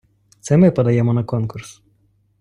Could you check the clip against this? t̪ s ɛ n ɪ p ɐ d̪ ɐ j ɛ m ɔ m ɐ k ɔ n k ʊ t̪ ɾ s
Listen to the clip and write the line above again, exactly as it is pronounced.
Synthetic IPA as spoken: t̪ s ɛ m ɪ p ɐ d̪ ɐ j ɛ m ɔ n ɐ k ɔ n k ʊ ɾ s